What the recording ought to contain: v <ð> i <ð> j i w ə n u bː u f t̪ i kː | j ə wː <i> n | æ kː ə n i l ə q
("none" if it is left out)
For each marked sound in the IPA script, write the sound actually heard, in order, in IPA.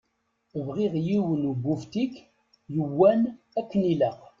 ʁ, ʁ, æ

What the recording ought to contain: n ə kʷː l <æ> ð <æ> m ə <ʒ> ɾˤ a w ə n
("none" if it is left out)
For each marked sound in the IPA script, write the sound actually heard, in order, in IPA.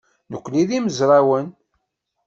i, i, z

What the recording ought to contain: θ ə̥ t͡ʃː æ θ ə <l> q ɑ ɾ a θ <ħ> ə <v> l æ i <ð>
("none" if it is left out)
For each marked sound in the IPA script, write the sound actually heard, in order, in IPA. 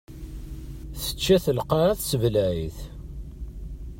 l, s, v, θ

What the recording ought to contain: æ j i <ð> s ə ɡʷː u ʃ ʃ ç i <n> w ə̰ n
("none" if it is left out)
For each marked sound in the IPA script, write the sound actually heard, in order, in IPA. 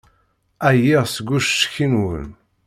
ʁ, n

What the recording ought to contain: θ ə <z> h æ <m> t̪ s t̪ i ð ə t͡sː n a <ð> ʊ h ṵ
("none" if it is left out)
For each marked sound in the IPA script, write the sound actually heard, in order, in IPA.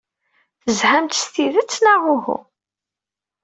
z, m, ʁ

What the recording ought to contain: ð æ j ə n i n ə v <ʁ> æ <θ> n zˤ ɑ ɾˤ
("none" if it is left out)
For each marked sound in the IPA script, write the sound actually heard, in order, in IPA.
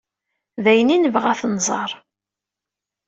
ʁ, θ

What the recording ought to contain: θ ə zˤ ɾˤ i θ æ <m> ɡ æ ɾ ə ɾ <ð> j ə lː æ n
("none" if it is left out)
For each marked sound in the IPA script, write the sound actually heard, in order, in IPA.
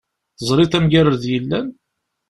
m, ð

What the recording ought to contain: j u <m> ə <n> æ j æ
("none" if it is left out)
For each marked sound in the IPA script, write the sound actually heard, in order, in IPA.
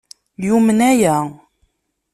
m, n

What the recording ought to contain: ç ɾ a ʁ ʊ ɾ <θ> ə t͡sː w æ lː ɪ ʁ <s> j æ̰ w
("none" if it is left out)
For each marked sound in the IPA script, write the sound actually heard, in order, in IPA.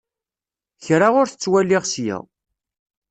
θ, s

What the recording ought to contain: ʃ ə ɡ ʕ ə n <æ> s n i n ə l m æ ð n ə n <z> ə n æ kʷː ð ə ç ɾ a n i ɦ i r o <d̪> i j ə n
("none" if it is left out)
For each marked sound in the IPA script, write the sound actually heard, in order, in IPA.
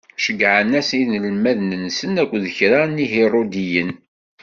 æ, s, d̪

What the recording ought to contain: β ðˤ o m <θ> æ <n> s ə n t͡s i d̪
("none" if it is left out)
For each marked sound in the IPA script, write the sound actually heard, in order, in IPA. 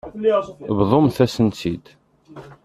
θ, none

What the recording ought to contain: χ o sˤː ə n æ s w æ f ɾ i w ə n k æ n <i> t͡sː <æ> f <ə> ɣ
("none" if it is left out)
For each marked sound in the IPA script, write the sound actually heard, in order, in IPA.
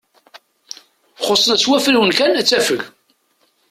æ, æ, ə

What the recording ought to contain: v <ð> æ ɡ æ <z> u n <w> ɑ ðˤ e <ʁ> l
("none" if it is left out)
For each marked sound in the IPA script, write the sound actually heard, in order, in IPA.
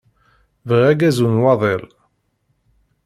ʁ, z, w, none

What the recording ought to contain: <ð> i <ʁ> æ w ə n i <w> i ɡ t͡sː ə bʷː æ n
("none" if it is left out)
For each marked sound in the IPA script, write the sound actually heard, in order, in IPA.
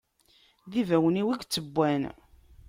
ð, v, w

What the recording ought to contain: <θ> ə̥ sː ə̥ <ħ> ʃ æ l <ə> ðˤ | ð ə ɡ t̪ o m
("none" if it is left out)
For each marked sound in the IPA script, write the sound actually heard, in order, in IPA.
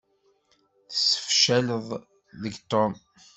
θ, f, ə

